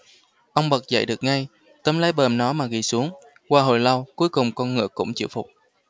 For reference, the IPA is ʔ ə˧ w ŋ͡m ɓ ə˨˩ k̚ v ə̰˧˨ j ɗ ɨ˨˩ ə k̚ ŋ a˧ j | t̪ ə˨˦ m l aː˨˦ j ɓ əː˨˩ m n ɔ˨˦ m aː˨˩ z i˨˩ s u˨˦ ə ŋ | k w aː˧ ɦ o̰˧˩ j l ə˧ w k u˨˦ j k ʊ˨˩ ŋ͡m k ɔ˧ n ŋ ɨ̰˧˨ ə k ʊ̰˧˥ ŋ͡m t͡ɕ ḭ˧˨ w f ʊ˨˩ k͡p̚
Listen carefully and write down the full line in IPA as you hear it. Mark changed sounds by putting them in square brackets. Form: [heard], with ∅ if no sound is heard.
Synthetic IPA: ʔ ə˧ w ŋ͡m ɓ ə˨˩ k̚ [z] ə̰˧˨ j ɗ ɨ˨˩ ə k̚ ŋ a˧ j | t̪ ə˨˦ m l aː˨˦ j ɓ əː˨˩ m n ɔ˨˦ m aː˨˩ [ɣ] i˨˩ s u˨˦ ə ŋ | k w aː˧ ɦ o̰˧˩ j l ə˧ w k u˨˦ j k ʊ˨˩ ŋ͡m k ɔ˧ n ŋ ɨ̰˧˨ ə k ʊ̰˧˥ ŋ͡m t͡ɕ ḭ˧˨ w f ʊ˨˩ k͡p̚